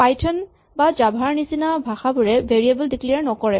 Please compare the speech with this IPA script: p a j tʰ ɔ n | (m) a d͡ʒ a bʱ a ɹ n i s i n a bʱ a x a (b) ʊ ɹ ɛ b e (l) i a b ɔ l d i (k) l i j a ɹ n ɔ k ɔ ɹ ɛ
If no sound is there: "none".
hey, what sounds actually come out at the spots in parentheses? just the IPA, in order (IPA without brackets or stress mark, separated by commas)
b, b, ɹ, k